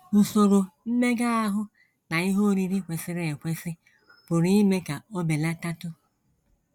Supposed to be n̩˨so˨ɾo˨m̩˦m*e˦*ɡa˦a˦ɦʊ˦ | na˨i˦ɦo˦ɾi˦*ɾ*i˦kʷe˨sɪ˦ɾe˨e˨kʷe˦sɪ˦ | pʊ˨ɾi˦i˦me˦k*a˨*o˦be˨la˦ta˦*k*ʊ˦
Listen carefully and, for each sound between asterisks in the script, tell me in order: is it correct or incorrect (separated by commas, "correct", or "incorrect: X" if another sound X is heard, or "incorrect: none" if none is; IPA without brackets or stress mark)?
correct, correct, correct, incorrect: t